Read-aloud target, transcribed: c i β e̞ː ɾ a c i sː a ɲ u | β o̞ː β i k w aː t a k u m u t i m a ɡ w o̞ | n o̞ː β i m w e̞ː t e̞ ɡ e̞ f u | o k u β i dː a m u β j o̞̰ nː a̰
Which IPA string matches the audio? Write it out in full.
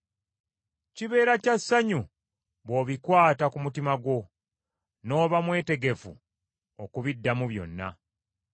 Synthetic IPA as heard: c i β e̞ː ɾ a c a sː a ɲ u | β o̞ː β i k w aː t a k u m u t i m a ɡ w o̞ | n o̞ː β a m w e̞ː t e̞ ɡ e̞ f u | o k u β i dː a m u β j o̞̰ nː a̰